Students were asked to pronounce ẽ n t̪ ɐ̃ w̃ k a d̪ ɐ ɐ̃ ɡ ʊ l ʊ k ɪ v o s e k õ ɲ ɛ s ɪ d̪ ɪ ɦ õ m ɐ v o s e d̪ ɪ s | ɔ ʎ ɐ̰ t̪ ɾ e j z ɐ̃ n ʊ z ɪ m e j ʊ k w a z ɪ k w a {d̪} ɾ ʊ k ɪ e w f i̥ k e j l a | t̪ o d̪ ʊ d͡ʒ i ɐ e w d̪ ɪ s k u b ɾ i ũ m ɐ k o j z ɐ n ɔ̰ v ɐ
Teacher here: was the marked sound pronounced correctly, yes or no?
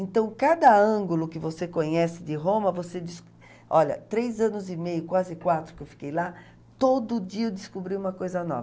no